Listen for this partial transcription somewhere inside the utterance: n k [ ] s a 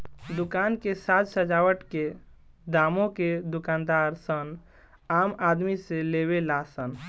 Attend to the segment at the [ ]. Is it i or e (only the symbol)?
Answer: e